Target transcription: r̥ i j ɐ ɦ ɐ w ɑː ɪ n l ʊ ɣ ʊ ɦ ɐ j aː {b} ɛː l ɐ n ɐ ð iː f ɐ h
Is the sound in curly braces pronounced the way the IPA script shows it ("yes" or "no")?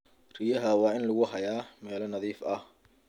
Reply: no